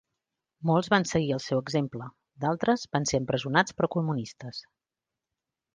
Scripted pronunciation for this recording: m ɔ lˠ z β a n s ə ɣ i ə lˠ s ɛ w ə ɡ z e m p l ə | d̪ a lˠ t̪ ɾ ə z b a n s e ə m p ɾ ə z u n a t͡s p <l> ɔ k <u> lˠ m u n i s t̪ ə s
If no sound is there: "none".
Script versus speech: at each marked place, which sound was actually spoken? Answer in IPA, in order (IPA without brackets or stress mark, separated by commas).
ɾ, u